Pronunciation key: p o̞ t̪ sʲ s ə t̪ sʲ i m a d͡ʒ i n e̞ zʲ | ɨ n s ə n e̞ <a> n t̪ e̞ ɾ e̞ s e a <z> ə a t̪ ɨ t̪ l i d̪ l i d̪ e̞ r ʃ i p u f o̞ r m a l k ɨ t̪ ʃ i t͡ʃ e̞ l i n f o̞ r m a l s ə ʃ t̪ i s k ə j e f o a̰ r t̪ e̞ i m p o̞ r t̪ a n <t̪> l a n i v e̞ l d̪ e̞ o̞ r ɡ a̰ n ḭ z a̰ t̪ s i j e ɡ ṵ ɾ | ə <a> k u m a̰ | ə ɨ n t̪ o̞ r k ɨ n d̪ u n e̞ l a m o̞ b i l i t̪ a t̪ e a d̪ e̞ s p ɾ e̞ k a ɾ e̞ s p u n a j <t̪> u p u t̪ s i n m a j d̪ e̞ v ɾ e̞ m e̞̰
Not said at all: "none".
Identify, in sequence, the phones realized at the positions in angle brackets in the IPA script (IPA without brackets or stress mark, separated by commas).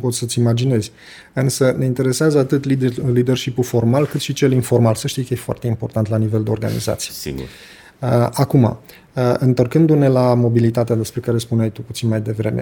i, z, t̪, a, t̪